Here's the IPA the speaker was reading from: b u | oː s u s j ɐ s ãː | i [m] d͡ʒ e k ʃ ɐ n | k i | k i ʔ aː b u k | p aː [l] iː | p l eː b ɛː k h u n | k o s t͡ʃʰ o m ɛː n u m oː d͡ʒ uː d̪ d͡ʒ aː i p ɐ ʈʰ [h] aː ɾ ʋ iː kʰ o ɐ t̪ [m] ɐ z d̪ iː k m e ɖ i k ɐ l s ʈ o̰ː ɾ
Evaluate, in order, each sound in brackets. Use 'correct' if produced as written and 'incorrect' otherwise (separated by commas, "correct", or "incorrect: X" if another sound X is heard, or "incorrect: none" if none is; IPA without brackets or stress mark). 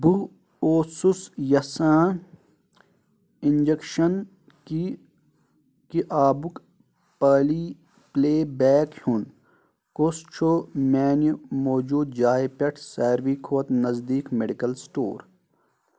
incorrect: n, correct, incorrect: s, incorrect: n